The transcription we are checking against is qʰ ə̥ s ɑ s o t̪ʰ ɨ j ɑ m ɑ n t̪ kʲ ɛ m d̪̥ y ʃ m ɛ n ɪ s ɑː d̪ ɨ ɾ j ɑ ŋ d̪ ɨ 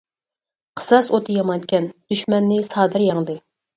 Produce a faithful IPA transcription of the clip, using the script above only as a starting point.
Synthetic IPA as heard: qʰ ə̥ s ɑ s o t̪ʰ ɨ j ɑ m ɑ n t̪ kʲ ɛ n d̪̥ y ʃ m ɛ nː ɪ s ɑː d̪ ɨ ɾ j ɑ ŋ d̪ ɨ